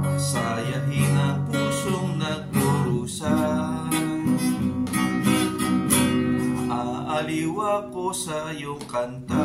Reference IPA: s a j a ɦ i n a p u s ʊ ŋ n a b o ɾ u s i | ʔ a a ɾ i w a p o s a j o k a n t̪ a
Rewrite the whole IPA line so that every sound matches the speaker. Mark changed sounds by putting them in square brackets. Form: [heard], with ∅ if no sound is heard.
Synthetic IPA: s a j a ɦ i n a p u s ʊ ŋ n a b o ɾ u s [a] | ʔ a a [l] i w a p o s a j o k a n t̪ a